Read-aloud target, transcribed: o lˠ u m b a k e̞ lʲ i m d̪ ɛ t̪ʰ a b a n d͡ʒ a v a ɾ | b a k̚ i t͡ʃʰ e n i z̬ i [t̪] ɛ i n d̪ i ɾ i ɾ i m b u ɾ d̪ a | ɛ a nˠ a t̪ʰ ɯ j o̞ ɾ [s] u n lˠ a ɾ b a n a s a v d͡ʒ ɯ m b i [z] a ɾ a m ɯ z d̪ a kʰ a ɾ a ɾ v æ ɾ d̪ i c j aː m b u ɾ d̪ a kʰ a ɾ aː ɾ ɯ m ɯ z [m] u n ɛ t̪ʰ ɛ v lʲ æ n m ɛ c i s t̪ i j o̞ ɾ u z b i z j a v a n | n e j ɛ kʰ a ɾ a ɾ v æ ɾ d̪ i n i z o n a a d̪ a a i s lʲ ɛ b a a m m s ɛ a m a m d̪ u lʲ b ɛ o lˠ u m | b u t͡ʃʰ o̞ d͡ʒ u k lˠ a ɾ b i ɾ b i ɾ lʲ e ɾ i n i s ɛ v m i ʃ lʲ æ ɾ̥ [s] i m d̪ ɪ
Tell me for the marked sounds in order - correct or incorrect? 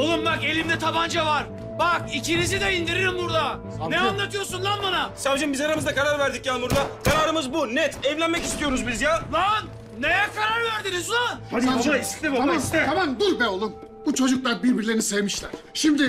incorrect, correct, correct, incorrect, incorrect

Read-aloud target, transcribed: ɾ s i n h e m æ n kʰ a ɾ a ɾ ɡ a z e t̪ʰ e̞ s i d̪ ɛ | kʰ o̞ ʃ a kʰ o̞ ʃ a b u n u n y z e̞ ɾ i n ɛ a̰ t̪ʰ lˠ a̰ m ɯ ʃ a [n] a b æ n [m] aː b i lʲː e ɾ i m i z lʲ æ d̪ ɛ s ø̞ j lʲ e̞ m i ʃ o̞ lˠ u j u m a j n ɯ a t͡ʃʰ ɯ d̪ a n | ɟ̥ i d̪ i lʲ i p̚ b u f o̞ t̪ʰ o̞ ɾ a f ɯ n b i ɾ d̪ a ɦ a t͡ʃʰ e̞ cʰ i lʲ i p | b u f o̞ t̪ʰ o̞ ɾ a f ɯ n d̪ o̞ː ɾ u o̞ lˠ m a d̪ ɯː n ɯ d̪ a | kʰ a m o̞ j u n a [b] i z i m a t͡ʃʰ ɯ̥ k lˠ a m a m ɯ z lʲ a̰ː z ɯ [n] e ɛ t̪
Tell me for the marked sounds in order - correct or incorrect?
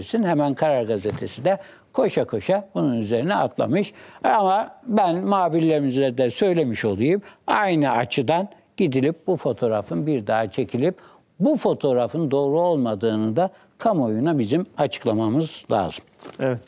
incorrect, correct, correct, incorrect

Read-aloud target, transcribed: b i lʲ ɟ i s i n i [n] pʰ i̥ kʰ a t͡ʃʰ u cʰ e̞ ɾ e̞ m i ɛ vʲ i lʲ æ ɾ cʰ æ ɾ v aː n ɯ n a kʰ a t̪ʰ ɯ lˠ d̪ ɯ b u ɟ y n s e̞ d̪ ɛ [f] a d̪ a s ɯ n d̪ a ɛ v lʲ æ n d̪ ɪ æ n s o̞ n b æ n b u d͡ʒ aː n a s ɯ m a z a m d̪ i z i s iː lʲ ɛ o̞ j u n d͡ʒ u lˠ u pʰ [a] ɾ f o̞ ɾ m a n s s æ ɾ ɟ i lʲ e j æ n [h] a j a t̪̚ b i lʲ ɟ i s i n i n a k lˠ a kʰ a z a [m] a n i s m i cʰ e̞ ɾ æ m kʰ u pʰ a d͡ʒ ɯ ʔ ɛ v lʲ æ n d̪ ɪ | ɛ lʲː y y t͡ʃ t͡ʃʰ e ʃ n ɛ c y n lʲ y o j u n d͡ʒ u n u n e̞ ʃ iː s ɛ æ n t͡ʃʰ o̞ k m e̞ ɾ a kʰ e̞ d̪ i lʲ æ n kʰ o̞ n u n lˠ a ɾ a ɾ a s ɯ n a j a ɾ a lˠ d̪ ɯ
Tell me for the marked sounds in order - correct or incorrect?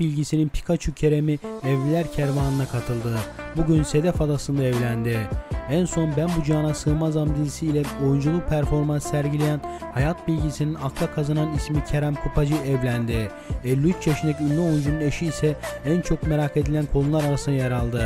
correct, correct, incorrect, correct, incorrect

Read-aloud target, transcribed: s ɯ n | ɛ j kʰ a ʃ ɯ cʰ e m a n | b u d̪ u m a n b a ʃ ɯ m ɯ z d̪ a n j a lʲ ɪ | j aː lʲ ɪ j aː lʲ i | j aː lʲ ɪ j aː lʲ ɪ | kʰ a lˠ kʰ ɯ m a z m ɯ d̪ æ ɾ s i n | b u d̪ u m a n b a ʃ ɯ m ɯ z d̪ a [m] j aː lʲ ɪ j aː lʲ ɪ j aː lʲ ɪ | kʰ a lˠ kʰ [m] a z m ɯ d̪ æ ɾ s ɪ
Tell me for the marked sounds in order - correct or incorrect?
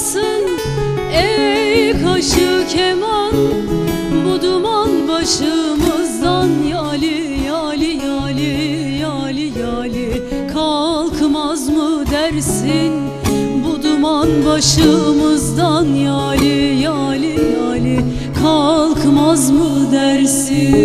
incorrect, correct

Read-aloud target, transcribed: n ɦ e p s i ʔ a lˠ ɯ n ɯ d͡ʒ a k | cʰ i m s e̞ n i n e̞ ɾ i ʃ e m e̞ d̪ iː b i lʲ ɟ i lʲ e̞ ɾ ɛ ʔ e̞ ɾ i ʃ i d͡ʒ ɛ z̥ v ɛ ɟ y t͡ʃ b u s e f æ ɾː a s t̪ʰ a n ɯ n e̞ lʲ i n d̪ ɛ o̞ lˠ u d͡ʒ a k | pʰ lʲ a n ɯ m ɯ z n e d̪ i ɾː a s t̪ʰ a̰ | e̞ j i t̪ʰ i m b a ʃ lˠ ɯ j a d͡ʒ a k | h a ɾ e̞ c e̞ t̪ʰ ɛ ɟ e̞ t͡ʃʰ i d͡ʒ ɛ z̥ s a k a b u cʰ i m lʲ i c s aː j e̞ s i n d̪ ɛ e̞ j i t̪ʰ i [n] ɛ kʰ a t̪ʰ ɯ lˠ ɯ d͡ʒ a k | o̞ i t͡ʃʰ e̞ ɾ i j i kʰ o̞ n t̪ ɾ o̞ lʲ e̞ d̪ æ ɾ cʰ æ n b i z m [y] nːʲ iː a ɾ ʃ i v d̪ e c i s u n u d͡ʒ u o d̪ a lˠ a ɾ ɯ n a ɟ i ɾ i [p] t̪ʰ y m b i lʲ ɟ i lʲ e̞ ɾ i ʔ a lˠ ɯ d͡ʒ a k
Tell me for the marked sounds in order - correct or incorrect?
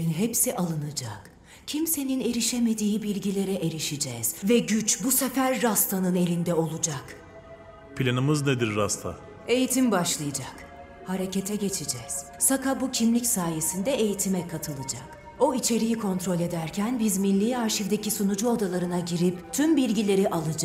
incorrect, incorrect, correct

